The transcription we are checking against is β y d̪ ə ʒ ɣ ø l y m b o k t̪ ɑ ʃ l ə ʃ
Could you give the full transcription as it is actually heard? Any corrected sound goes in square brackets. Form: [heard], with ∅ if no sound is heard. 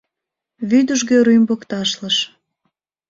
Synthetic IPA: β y d̪ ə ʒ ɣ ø [ɾ] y m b o k t̪ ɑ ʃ l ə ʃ